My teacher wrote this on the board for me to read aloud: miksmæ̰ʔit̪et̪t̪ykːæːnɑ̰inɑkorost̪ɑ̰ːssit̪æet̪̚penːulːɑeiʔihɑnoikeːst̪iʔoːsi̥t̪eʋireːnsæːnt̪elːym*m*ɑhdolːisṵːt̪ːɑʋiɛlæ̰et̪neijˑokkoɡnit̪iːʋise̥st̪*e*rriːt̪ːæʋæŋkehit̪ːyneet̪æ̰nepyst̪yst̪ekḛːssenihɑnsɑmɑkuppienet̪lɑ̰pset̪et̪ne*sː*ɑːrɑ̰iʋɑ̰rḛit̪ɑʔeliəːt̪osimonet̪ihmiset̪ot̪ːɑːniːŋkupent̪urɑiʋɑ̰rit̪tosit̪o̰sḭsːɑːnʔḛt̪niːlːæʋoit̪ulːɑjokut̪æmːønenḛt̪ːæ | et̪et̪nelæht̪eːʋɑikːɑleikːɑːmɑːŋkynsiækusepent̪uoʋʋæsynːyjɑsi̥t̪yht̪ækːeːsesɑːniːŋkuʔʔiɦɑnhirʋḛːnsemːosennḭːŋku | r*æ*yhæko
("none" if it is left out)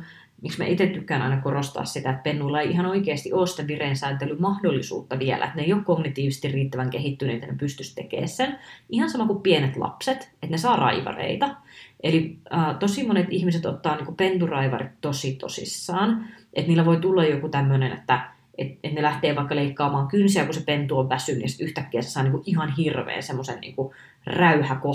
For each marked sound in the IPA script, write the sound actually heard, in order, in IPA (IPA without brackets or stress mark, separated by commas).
m, i, s, æ